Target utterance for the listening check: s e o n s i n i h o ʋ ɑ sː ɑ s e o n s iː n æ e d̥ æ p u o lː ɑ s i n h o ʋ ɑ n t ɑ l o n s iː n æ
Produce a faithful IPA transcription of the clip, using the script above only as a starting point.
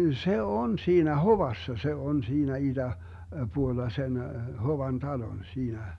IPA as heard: s e o n s iː n æ h o ʋ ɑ sː ɑ s e o n s iː n æ i d̥ æ p u o lː ɑ s e n h o ʋ ɑ n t ɑ l o n s iː n æ